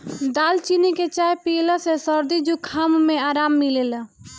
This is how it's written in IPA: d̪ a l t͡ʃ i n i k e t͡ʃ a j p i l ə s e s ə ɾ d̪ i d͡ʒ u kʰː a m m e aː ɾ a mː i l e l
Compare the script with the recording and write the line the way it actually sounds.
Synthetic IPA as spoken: d̪ a l t͡ʃ i n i k e t͡ʃ a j p i l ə s e s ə ɾ d̪ i d͡ʒ u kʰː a m m e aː ɾ a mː i l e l